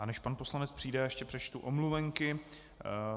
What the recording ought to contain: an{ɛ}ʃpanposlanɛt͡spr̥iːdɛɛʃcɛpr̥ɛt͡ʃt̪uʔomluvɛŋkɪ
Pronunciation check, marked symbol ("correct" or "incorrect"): correct